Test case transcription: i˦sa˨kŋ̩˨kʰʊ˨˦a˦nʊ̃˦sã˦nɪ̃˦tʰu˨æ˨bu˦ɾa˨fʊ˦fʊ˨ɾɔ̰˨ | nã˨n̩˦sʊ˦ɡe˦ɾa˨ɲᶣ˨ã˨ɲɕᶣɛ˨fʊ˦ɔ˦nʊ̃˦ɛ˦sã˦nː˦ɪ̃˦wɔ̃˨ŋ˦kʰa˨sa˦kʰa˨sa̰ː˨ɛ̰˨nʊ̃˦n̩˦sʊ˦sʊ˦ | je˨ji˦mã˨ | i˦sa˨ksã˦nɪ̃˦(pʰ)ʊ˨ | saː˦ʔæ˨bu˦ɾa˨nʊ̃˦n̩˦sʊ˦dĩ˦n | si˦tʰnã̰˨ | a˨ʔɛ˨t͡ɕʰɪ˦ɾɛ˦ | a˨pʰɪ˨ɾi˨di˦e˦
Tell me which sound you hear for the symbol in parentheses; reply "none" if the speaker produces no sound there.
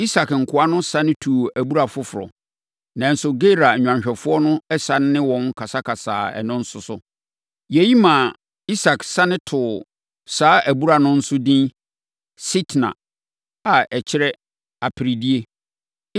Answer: tʰ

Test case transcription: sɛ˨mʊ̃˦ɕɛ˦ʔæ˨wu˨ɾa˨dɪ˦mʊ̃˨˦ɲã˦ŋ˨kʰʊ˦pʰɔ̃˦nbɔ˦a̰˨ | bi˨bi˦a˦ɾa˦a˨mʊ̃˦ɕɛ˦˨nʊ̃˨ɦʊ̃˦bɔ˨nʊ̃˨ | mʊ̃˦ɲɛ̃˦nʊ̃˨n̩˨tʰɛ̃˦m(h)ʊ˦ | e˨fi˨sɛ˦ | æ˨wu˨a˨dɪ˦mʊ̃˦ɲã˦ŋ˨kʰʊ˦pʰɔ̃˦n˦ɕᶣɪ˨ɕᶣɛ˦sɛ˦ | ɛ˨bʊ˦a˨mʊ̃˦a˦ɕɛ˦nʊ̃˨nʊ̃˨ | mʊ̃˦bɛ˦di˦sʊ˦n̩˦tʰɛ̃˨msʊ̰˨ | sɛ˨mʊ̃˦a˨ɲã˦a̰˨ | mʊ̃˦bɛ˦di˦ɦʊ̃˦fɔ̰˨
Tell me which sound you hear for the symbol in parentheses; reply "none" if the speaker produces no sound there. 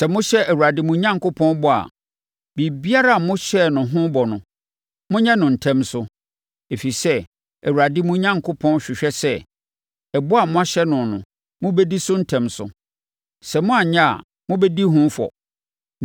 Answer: s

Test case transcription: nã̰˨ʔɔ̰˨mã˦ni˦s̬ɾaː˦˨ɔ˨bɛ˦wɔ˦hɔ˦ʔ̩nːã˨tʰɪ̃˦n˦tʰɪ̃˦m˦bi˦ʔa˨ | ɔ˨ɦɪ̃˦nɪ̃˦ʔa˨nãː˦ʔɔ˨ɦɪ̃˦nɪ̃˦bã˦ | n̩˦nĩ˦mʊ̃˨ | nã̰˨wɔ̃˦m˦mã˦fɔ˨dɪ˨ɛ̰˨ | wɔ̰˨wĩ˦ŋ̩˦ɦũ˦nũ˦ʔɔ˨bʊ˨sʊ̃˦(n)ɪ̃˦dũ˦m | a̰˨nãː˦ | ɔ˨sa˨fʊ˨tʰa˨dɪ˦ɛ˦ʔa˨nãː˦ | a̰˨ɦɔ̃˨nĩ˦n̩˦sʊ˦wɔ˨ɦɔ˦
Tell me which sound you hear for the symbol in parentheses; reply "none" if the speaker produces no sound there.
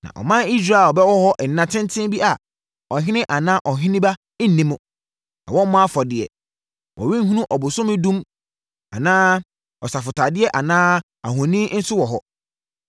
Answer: m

